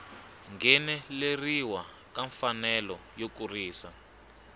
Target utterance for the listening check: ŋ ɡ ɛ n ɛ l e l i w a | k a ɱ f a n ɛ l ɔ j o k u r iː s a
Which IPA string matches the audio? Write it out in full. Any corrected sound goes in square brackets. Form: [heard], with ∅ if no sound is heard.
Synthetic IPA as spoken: ŋ ɡ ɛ n ɛ l e [r] i w a | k a ɱ f a n ɛ l ɔ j o k u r iː s a